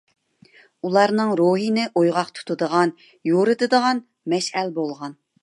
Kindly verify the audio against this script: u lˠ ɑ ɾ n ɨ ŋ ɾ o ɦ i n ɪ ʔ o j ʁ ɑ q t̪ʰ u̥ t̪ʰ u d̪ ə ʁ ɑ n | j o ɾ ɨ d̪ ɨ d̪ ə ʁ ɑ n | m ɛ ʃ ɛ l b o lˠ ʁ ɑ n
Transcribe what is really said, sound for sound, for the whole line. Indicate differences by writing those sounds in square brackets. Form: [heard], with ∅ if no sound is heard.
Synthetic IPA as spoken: u lˠ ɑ ɾ n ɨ ŋ ɾ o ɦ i n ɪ ʔ o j ʁ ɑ q t̪ʰ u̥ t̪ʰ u d̪ ə ʁ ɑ n | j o ɾ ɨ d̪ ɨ d̪ ə ʁ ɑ n | m ɛ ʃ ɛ l b o lˠ ʁ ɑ n

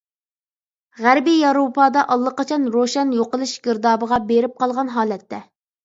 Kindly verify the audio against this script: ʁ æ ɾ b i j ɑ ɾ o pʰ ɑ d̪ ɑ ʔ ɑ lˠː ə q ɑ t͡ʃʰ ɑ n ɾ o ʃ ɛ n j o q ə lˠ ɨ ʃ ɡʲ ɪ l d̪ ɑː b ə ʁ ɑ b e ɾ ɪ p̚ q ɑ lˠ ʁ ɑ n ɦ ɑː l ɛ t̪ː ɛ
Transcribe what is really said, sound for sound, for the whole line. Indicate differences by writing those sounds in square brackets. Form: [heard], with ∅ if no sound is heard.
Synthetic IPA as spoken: ʁ æ ɾ b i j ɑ ɾ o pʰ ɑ d̪ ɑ ʔ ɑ lˠː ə q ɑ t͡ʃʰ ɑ n ɾ o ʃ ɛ n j o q ə lˠ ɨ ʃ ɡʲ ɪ [ɾ] d̪ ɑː b ə ʁ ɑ b e ɾ ɪ p̚ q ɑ lˠ ʁ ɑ n ɦ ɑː l ɛ t̪ː ɛ

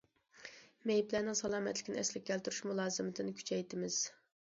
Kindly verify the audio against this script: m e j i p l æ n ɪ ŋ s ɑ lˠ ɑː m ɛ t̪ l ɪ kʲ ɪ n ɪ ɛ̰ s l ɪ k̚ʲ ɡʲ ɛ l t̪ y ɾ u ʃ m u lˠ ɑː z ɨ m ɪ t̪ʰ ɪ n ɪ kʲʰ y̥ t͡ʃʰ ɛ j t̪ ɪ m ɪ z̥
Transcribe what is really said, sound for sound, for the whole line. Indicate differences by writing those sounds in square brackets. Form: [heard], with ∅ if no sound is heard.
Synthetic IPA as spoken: m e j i p l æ n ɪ ŋ s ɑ lˠ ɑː m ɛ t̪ l ɪ kʲ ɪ n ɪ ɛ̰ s l ɪ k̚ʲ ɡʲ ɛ l t̪ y ɾ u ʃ m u lˠ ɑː z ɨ m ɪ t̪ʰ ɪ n ɪ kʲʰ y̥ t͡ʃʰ ɛ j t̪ ɪ m ɪ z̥

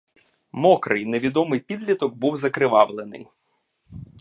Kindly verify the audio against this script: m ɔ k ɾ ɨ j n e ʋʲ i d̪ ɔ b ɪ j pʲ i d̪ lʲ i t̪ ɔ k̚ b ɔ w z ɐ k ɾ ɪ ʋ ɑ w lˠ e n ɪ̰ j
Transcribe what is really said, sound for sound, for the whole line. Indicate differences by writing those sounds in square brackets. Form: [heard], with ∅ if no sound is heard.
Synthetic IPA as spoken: m ɔ k ɾ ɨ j n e ʋʲ i d̪ ɔ [m] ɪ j pʲ i d̪ lʲ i t̪ ɔ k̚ b [u] w z ɐ k ɾ ɪ ʋ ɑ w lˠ e n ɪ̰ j

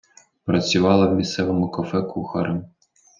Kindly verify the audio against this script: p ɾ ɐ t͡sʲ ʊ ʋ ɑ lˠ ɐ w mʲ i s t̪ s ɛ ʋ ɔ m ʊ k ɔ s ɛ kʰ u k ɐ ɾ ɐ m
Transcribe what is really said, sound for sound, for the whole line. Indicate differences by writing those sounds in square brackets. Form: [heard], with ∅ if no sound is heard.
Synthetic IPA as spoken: p ɾ ɐ t͡sʲ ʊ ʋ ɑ lˠ ɐ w mʲ i s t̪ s ɛ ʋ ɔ m ʊ k ɔ [f] ɛ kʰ u [x] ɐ ɾ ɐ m

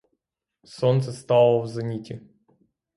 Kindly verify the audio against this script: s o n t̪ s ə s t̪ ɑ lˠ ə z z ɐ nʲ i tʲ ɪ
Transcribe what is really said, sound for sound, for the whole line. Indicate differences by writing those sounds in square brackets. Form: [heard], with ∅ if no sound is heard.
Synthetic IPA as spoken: s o n t̪ s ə s t̪ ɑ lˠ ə [v] z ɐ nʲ i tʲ ɪ

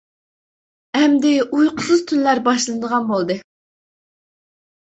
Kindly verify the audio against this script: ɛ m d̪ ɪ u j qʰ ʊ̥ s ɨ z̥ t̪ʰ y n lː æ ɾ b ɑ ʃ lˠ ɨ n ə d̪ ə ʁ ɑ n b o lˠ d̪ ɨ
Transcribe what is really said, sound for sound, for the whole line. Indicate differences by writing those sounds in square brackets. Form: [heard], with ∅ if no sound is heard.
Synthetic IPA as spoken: ɛ m d̪ ɪ u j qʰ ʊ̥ s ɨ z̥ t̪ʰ y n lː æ ɾ b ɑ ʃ lˠ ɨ n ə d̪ ə ʁ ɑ n b o lˠ d̪ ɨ

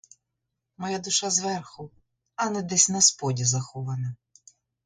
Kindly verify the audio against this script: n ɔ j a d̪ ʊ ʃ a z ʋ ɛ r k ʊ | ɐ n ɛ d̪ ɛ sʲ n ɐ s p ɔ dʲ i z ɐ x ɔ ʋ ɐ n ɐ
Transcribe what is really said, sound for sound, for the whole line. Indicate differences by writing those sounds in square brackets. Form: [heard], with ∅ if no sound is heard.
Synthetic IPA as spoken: [m] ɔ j a d̪ ʊ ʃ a z ʋ ɛ r [x] ʊ | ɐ n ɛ d̪ ɛ sʲ n ɐ s p ɔ dʲ i z ɐ x ɔ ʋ ɐ n ɐ

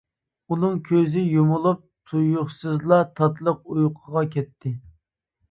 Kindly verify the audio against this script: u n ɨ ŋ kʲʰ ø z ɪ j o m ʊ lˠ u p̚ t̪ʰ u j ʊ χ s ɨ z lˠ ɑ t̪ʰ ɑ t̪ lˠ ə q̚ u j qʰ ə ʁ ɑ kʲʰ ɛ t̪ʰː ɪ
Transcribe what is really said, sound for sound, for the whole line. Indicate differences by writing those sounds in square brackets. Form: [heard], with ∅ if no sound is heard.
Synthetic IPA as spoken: u n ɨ ŋ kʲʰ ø z ɪ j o m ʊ lˠ u p̚ t̪ʰ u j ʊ χ s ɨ z lˠ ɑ t̪ʰ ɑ t̪ lˠ ə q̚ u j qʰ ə ʁ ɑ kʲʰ ɛ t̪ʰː ɪ

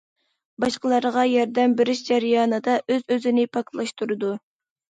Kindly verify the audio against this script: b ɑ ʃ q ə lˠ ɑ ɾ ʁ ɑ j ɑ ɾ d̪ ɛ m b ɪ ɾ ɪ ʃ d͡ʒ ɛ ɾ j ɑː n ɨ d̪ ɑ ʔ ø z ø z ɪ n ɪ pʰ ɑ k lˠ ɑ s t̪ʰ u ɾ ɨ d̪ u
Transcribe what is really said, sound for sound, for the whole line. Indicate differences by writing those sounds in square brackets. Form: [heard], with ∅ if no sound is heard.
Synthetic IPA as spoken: b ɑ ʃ q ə lˠ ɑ ɾ ʁ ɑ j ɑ ɾ d̪ ɛ m b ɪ ɾ ɪ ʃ d͡ʒ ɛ ɾ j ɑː n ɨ d̪ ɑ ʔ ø z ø z ɪ n ɪ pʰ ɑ k lˠ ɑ [ʃ] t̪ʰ u ɾ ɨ d̪ u

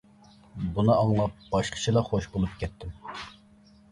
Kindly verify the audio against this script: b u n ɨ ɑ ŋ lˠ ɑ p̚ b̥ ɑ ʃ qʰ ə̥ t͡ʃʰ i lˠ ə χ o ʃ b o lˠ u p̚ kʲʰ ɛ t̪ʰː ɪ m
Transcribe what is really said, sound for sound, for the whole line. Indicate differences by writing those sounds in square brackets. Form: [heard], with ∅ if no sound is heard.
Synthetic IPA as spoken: b u n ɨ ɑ ŋ lˠ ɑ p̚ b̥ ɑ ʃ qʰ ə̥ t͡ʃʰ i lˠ [ɑ] χ o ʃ b o lˠ u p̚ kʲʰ ɛ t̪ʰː ɪ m

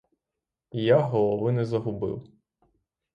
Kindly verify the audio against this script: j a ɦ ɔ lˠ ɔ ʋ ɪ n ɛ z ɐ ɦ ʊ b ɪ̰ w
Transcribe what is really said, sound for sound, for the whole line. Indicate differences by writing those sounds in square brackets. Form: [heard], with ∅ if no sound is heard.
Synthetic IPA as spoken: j a ɦ ɔ lˠ ɔ ʋ ɪ n ɛ z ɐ ɦ ʊ b ɪ̰ w

